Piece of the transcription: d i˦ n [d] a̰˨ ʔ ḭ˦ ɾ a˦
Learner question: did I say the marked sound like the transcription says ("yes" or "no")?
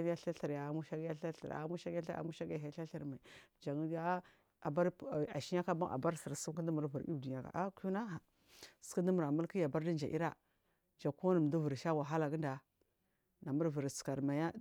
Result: no